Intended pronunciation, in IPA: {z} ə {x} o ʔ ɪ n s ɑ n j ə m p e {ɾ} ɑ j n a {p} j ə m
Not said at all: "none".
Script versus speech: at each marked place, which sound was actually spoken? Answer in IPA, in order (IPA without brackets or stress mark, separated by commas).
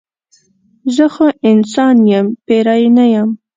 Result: z, x, ɾ, none